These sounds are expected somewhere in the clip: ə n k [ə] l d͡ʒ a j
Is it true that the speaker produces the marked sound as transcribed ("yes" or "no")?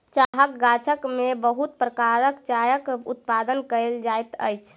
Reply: yes